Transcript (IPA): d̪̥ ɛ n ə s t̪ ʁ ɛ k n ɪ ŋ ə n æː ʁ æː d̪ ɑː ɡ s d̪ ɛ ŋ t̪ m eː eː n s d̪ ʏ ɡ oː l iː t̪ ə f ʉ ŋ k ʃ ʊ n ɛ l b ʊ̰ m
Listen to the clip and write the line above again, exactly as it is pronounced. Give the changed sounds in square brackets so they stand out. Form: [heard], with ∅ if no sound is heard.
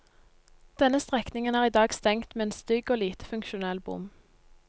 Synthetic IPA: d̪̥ ɛ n ə s t̪ ʁ ɛ k n ɪ ŋ ə n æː ʁ [iː] d̪ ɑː ɡ s [t̪] ɛ ŋ t̪ m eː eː n s [t̪] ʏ ɡ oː l iː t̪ ə f ʉ ŋ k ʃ ʊ n ɛ l b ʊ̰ m